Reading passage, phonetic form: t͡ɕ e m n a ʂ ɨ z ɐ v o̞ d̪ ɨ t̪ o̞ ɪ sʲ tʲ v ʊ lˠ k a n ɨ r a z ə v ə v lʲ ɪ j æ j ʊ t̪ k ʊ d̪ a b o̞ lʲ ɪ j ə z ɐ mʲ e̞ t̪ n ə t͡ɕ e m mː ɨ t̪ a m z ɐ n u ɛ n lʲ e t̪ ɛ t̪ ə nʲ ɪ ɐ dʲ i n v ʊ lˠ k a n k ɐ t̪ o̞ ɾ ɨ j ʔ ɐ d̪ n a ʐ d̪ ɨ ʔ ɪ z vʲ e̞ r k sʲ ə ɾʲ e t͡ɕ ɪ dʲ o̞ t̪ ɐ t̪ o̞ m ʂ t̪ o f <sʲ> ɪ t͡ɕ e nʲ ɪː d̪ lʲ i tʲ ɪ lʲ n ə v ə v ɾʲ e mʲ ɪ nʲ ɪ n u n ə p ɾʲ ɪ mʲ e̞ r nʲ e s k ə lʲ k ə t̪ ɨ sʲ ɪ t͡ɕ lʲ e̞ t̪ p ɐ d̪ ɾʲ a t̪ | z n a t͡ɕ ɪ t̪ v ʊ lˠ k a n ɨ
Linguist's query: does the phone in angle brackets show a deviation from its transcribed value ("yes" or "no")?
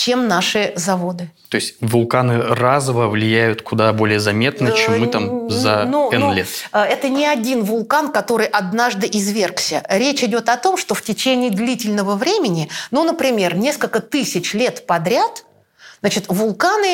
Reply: yes